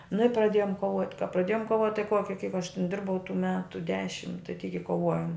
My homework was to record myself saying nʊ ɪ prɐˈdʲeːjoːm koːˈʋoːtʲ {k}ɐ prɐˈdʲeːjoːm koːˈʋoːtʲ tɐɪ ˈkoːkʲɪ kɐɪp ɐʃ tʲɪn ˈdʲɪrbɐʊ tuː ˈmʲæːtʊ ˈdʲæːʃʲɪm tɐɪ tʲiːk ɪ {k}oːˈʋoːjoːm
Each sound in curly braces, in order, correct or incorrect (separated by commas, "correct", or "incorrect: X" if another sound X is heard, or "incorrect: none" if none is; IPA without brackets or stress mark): correct, correct